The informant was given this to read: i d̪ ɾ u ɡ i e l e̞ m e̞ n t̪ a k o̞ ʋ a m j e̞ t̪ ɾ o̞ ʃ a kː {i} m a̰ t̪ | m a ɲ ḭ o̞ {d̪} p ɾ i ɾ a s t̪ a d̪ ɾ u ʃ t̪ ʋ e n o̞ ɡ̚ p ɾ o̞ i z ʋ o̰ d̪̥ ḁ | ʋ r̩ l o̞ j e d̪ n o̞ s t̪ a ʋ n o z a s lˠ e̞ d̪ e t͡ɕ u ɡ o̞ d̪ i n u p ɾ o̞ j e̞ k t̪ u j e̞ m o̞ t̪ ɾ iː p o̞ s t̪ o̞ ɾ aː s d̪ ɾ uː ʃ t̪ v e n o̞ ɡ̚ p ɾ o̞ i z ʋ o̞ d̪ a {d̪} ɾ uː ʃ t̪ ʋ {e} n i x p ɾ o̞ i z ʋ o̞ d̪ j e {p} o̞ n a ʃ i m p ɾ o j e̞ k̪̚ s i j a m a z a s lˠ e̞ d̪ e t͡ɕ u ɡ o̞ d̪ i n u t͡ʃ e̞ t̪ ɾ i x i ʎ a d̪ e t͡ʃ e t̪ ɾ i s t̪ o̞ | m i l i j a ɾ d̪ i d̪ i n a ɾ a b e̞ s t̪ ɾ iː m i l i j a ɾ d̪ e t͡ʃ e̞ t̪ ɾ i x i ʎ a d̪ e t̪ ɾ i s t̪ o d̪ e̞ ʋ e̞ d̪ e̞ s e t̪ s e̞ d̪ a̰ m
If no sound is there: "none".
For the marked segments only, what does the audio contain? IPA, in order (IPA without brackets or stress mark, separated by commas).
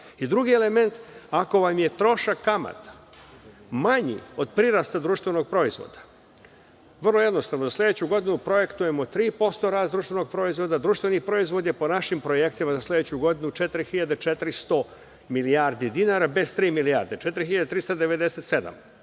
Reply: a, d̪, d̪, e, p